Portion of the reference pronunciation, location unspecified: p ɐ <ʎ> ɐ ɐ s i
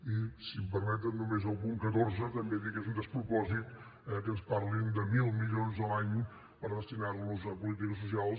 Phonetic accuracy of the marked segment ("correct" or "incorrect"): incorrect